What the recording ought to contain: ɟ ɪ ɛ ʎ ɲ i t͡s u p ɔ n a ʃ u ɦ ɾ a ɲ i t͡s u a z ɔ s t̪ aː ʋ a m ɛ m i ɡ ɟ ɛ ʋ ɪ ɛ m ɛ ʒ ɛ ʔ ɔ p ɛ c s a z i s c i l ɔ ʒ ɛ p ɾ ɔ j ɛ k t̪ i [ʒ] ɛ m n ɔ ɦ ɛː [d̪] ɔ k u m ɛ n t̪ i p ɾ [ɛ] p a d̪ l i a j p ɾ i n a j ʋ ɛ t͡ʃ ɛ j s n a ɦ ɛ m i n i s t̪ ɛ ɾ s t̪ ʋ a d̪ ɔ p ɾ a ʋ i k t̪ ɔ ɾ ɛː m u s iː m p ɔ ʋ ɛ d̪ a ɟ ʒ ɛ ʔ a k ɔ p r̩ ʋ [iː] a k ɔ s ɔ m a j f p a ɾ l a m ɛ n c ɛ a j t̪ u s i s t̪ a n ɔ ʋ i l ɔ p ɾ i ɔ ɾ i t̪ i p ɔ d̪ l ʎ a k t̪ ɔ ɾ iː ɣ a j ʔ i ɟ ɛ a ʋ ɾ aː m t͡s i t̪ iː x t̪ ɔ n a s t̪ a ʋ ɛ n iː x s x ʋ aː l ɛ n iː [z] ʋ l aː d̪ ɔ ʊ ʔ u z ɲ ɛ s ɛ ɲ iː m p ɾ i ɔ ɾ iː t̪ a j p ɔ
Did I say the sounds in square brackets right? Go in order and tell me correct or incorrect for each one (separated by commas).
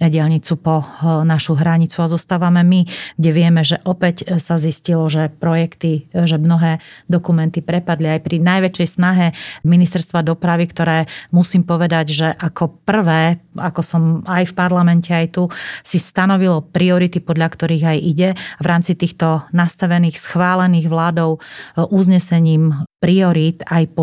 correct, correct, correct, incorrect, incorrect